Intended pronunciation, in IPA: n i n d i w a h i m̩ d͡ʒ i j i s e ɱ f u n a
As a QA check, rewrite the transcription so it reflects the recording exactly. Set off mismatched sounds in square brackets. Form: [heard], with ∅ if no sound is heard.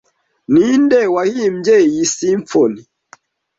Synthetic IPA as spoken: n i n d [ɛ] w a h i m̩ d͡ʒ [ɛ] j i s [i] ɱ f [ɔ] n [i]

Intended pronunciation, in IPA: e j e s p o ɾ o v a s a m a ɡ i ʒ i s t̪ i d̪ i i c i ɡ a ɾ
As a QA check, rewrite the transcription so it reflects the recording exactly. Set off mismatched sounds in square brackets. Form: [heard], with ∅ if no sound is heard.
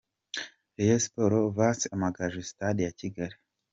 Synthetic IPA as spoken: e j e s p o ɾ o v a s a m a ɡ [a] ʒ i s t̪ [a] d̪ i [a] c i ɡ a ɾ

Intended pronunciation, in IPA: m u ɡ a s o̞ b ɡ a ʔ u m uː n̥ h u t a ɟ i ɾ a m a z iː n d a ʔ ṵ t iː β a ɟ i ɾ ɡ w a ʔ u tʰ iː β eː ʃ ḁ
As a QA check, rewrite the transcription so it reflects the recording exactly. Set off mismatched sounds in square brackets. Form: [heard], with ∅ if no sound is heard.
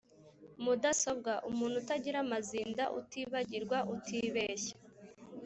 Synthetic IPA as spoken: m u [d] a s o̞ b ɡ a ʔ u m uː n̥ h u t a ɟ i ɾ a m a z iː n d a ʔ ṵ t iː β a ɟ i ɾ ɡ w a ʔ u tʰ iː β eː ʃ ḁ

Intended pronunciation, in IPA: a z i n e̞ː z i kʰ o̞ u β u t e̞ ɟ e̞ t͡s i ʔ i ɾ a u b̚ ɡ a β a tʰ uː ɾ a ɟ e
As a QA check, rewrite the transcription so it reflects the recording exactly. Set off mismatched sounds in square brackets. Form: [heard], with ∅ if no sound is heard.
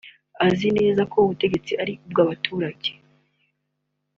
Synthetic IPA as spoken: a z i n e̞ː z [a] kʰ o̞ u β u t e̞ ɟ e̞ t͡s i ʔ [a] ɾ [i] u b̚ ɡ a β a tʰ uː ɾ a ɟ e

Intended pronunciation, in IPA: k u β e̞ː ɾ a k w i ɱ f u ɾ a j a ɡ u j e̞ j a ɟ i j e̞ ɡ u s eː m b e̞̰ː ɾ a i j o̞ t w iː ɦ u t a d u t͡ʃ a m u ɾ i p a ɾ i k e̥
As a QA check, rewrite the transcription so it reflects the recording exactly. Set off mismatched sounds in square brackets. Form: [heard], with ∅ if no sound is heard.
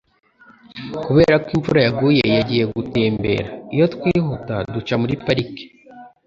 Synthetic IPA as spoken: k u β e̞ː ɾ a k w i ɱ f u ɾ a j a ɡ u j e̞ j a ɟ i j e̞ ɡ u [t] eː m b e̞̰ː ɾ a i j o̞ t w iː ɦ u t a d u t͡ʃ a m u ɾ i p a ɾ i k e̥

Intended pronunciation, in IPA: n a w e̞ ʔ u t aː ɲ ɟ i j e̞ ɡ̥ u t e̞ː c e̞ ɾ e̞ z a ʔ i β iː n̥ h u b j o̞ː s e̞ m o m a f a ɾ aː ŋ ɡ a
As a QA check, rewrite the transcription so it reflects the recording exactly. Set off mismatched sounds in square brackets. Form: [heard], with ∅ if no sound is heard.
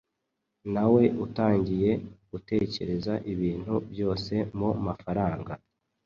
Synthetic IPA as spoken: n a w e̞ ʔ u t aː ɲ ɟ i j e̞ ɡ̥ u t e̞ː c e̞ ɾ e̞ z a ʔ i β iː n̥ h u b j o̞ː s e̞ m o m a f a ɾ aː ŋ ɡ a

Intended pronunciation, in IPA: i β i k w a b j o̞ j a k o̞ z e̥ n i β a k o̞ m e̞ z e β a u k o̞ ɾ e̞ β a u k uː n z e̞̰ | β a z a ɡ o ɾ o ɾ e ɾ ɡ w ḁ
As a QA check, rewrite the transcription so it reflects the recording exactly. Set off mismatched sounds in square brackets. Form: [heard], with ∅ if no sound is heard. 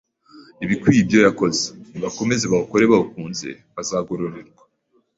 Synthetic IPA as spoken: i β i k w [i] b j o̞ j a k o̞ z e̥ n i β a k o̞ m e̞ z e β a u k o̞ ɾ e̞ β a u k uː n z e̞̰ | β a z a ɡ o ɾ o ɾ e ɾ ɡ w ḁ

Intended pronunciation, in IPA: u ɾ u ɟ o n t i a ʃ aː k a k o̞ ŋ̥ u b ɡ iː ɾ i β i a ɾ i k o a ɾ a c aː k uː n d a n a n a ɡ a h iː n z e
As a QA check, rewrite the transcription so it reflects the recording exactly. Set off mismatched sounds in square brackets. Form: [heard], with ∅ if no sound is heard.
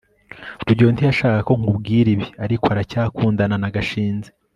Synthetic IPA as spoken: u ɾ u ɟ o n t i a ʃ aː k a k o̞ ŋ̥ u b ɡ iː ɾ i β i a ɾ i k o a ɾ a c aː k uː n d a n a n a ɡ a [ʃ] iː n z e

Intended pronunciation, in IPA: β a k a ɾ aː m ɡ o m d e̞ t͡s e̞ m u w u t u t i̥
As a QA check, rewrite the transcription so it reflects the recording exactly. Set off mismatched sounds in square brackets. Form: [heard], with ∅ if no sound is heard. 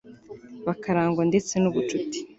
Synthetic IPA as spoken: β a k a ɾ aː [ŋ] ɡ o [n] d e̞ t͡s e̞ [n] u [β] u [t͡ʃ] u t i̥

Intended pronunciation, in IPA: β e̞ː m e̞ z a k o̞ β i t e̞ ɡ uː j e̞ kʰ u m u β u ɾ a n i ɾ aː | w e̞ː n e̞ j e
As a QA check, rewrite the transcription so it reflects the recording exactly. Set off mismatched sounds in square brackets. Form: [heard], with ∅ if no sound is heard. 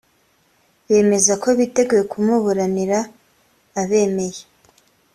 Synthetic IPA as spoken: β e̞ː m e̞ z a k o̞ β i t e̞ ɡ [u] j e̞ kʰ u m u β u ɾ a n i ɾ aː | [β] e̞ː [m] e̞ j e

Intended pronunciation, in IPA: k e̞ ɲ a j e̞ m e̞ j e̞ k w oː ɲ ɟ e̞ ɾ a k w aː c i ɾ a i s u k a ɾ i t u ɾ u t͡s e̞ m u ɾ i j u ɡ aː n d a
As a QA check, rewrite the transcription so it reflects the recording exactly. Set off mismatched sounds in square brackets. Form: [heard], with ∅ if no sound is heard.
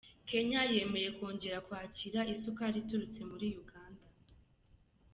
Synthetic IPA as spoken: k e̞ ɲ a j e̞ m e̞ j e̞ k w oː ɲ ɟ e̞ ɾ a k w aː c i ɾ a i s u k a ɾ i t u ɾ u t͡s e̞ m u ɾ i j u ɡ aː n d a

